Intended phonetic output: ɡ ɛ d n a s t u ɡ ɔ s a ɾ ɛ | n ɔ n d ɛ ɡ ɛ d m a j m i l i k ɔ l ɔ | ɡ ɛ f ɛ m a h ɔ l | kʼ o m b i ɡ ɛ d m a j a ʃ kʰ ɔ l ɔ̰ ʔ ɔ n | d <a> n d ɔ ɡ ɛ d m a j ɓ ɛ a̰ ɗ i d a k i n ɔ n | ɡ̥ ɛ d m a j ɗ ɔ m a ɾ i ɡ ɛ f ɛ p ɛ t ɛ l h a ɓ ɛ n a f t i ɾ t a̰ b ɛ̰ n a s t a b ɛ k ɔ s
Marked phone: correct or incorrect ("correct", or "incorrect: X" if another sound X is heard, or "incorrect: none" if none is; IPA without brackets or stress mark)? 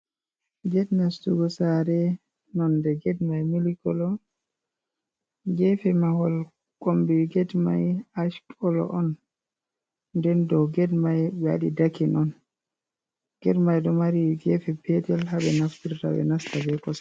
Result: incorrect: ɛ